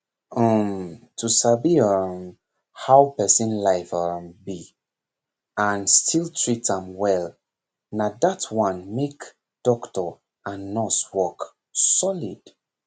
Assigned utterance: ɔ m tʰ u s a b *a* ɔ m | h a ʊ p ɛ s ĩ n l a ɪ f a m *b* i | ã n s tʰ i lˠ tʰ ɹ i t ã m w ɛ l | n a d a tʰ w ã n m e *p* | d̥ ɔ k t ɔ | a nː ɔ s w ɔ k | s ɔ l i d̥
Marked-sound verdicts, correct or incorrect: incorrect, correct, incorrect

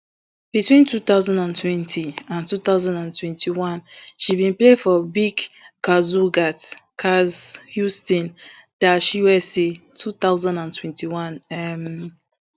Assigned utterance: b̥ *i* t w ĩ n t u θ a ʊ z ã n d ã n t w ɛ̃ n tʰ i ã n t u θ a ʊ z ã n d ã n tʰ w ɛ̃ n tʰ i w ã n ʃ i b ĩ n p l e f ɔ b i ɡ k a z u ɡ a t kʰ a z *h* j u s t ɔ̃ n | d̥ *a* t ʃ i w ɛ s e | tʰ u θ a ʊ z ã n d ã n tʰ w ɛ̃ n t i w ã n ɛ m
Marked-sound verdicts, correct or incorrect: correct, correct, correct

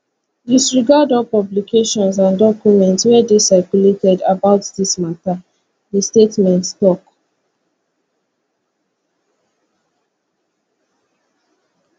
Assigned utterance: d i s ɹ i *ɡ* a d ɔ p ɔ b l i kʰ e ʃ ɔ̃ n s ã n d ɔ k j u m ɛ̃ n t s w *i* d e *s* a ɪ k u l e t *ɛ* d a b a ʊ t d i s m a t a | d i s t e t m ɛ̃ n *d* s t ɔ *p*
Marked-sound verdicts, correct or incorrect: correct, incorrect, correct, correct, incorrect, incorrect

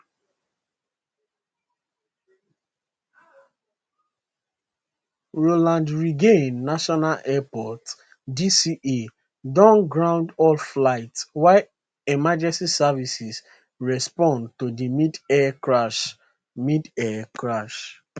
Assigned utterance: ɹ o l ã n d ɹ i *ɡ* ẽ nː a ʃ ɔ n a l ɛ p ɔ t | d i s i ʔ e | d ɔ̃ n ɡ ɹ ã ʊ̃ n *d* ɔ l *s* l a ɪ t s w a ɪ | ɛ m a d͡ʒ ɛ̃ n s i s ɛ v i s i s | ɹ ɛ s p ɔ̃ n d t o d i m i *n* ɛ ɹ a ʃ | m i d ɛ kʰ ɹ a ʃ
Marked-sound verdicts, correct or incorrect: correct, correct, incorrect, incorrect

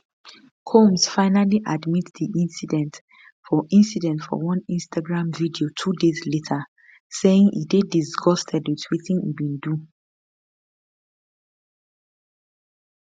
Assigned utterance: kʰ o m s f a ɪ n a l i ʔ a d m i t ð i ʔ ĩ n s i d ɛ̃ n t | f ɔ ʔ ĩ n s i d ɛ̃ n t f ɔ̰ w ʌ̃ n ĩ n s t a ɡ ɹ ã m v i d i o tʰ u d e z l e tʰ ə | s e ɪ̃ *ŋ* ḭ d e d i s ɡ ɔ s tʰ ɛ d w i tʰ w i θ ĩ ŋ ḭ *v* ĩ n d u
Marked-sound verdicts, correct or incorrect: correct, incorrect

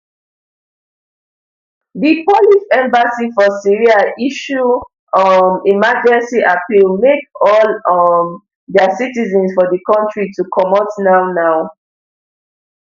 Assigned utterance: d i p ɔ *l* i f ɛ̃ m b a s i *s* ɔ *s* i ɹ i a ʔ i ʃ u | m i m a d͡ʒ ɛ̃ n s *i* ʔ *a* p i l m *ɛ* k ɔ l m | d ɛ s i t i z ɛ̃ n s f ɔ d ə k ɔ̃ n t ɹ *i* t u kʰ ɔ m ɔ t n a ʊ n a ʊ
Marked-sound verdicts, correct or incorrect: correct, incorrect, correct, correct, correct, incorrect, correct

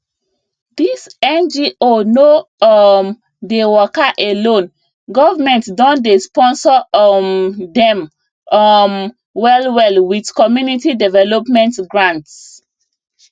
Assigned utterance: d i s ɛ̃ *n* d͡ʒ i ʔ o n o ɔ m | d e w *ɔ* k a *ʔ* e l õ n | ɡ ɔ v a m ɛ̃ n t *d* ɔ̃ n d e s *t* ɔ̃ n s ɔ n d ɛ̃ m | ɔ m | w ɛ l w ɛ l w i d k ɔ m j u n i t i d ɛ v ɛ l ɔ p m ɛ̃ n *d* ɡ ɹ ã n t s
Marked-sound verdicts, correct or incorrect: correct, correct, correct, correct, incorrect, incorrect

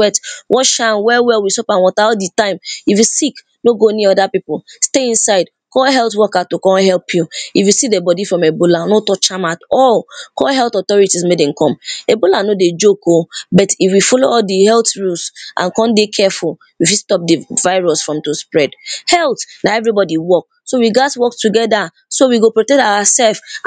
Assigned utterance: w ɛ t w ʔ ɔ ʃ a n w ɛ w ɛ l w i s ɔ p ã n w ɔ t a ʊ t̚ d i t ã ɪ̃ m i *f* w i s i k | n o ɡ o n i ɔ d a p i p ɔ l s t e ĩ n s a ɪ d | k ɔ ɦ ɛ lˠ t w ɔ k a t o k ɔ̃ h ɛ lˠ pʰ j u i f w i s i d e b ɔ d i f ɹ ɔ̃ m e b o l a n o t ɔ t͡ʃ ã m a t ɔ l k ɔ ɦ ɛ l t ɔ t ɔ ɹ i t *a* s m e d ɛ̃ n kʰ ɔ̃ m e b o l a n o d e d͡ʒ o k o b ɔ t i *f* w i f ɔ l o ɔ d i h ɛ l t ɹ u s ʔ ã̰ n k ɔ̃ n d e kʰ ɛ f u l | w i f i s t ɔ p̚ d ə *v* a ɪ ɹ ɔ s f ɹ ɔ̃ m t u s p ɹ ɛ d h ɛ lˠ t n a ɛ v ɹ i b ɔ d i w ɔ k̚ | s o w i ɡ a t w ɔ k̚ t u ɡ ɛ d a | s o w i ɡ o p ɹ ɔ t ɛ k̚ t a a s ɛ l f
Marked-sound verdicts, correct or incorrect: correct, incorrect, correct, correct

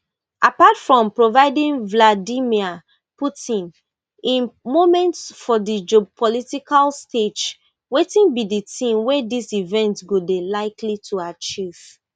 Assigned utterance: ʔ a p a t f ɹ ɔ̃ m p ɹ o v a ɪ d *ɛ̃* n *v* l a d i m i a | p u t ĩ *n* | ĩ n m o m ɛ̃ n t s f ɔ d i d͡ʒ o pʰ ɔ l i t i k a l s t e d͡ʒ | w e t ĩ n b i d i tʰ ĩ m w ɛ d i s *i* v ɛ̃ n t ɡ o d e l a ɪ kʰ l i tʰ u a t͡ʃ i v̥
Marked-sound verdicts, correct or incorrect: incorrect, correct, correct, correct

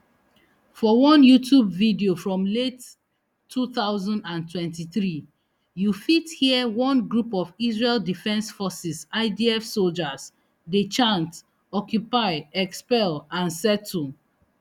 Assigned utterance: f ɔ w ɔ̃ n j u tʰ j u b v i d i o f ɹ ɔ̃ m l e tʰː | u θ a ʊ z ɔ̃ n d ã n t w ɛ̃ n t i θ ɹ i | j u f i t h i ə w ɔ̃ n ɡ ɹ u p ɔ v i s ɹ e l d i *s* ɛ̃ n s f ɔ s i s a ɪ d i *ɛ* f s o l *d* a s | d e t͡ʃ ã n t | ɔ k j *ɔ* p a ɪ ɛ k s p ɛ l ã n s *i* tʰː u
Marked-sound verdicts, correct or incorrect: incorrect, correct, incorrect, incorrect, incorrect

